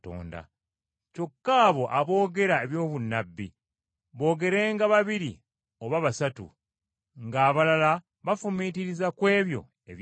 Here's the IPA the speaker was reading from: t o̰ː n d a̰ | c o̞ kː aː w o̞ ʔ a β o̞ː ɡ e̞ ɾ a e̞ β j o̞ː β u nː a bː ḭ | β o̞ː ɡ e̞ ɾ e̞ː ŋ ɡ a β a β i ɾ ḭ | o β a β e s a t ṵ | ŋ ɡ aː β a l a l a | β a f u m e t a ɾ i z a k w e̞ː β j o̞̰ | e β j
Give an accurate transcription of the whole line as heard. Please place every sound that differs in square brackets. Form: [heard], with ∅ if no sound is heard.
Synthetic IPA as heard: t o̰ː n d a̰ | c o̞ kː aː [β] o̞ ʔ a β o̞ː ɡ e̞ ɾ a e̞ β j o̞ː β u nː a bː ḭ | β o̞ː ɡ e̞ ɾ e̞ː ŋ ɡ a β a β i ɾ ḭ | o β a β [a] s a t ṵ | ŋ ɡ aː β a l a l a | β a f u m [i] t [i] ɾ i z a k w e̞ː β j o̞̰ | e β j